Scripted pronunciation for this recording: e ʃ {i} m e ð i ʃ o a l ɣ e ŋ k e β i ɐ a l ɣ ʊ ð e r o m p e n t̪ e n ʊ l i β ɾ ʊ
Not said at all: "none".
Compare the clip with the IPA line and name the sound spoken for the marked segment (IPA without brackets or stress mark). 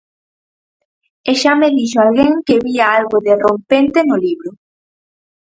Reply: a